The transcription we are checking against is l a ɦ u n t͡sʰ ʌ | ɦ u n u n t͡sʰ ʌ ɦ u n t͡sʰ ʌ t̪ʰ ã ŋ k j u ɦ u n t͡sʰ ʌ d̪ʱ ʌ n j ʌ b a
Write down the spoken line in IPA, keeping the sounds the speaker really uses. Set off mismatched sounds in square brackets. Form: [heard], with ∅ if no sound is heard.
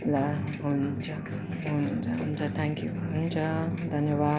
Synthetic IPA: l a ɦ u n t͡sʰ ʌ | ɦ u n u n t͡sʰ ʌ ɦ u n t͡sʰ ʌ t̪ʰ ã ŋ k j u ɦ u n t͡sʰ ʌ d̪ʱ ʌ n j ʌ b a

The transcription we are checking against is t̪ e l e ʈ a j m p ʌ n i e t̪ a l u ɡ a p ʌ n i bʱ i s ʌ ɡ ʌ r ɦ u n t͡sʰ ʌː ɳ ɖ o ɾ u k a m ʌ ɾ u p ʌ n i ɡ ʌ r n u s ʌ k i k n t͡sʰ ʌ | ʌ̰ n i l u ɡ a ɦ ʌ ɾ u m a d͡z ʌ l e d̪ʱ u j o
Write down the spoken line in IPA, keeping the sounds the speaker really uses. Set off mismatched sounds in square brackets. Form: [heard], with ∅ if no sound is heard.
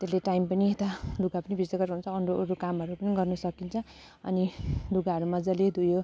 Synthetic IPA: t̪ e l e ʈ a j m p ʌ n i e t̪ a l u ɡ a p ʌ n i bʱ i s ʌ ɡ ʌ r ɦ u n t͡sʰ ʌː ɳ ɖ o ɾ u k a m ʌ ɾ u p ʌ n i ɡ ʌ r n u s ʌ k i [∅] n t͡sʰ ʌ | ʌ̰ n i l u ɡ a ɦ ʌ ɾ u m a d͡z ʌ l e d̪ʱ u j o

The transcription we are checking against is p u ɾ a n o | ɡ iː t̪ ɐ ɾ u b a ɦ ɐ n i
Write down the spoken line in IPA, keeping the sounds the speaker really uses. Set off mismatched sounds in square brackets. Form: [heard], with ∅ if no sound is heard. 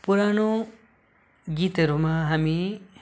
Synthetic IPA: p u ɾ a n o | ɡ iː t̪ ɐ ɾ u [m] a ɦ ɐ [m] i

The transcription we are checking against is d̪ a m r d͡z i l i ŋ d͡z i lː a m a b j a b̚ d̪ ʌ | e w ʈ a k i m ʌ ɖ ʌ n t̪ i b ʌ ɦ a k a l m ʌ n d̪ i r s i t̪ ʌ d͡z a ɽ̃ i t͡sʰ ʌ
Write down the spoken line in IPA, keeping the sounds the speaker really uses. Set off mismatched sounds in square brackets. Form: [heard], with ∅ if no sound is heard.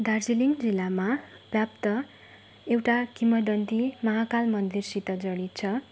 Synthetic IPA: d̪ a [∅] r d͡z i l i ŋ d͡z i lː a m a b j a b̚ [t̪] ʌ | e w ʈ a k i m ʌ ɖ ʌ n t̪ i [m] ʌ ɦ a k a l m ʌ n d̪ i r s i t̪ ʌ d͡z [ʌ] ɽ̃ i t͡sʰ ʌ

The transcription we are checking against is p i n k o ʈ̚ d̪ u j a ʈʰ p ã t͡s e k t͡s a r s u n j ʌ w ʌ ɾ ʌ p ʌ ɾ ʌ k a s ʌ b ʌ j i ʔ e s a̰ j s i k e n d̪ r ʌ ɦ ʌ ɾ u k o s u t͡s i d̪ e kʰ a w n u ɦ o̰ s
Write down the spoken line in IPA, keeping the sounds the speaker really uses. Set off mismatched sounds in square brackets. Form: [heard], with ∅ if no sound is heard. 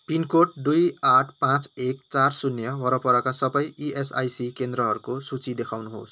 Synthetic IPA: p i n k o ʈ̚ d̪ u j a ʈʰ p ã t͡s e k t͡s a r s u n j ʌ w ʌ ɾ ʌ p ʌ ɾ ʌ k a s ʌ b ʌ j i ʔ e s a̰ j s i k e n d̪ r ʌ ɦ ʌ ɾ u k o s u t͡s i d̪ e kʰ a w n u ɦ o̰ s

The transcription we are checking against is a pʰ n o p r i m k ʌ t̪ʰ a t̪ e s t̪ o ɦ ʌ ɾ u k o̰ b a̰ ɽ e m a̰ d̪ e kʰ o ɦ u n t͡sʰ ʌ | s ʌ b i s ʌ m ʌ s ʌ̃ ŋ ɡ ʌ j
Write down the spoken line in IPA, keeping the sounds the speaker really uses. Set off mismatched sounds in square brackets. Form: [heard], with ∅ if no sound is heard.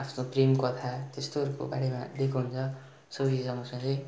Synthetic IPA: a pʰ n o p r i m k ʌ t̪ʰ a t̪ e s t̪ o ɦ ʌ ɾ u k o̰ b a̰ ɽ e m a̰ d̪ e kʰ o ɦ u n t͡sʰ ʌ | s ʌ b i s ʌ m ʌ s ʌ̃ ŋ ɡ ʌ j

